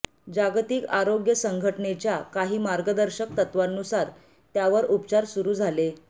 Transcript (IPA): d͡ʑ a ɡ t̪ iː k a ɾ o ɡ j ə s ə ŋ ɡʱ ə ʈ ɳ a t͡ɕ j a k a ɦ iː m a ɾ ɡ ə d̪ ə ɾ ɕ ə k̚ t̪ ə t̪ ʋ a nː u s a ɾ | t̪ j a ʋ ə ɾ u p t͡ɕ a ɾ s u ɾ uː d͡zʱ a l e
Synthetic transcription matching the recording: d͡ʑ a ɡ t̪ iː k a ɾ o ɡ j ə s ə ŋ ɡʱ ə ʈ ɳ e t͡ɕ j a k a ɦ iː m a ɾ ɡ ə d̪ ə ɾ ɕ ə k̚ t̪ ə t̪ ʋ a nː u s a ɾ | t̪ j a ʋ ə ɾ u p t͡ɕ a ɾ s u ɾ uː d͡zʱ a l e

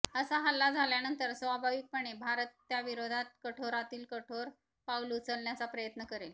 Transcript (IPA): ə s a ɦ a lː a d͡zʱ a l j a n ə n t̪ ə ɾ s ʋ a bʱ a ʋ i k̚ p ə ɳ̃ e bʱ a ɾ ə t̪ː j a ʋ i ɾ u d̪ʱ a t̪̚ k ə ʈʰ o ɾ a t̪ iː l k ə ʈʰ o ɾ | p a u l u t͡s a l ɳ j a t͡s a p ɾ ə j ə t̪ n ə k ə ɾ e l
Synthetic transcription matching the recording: ə s a ɦ a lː a d͡zʱ a l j a n ə n t̪ ə ɾ s ʋ a bʱ a ʋ i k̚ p ə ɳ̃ e bʱ a ɾ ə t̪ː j a ʋ i ɾ o d̪ʱ a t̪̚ k ə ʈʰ o ɾ a t̪ iː l k ə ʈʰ o ɾ | p a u l u t͡s ə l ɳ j a t͡s a p ɾ ə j ə t̪ n ə k ə ɾ e l

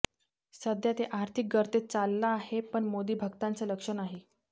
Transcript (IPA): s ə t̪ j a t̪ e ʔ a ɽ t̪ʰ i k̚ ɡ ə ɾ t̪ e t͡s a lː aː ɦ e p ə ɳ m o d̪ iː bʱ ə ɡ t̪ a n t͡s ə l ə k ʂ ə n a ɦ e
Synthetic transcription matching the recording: s ə d̪ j a t̪ e ʔ a ɾ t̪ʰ i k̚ ɡ ə ɾ t̪ e t͡s a lː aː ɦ e p ə ɳ m o d̪ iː bʱ ə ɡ t̪ a n t͡s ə l ə k ʂ ə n a ɦ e

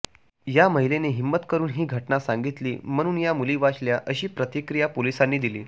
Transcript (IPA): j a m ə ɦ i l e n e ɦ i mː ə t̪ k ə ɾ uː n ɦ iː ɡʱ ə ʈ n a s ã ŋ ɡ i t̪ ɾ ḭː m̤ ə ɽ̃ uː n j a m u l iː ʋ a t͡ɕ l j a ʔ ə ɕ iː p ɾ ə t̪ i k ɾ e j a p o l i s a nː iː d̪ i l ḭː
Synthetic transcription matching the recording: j a m ə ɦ i l e n e ɦ i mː ə t̪ k ə ɾ uː n ɦ iː ɡʱ ə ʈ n a s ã ŋ ɡ i t̪ l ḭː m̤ ə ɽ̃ uː n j a m u l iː ʋ a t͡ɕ l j a ʔ ə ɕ iː p ɾ ə t̪ i k ɾ i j a p o l i s a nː iː d̪ i l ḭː

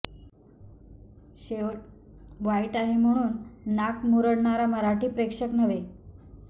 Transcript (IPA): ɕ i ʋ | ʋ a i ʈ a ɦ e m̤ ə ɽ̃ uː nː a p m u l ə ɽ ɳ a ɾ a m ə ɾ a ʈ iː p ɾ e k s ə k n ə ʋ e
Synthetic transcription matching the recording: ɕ e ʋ | ʋ a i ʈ a ɦ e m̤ ə ɽ̃ uː nː a k m u ɾ ə ɽ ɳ a ɾ a m ə ɾ a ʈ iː p ɾ e k ʂ ə k n ə ʋ e

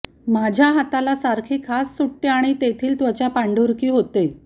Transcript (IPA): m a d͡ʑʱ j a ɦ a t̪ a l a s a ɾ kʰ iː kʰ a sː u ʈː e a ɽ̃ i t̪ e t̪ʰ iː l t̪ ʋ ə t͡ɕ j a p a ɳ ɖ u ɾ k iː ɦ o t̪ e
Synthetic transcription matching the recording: m a d͡ʑʱ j a ɦ a t̪ a l a s a ɾ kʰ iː kʰ a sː u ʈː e a ɽ̃ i t̪ e t̪ʰ iː l t̪ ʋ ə t͡ɕ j a p a ɳ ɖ u ɾ k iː ɦ o t̪ e

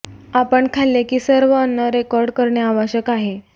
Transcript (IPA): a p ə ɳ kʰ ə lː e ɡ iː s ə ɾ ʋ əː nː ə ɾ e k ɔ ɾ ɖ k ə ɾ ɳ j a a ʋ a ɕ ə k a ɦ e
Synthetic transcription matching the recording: a p ə ɳ kʰ a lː e k iː s ə ɾ ʋ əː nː ə ɾ e k ɔ ɾ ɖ k ə ɾ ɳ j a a ʋ a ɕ ə k a ɦ e

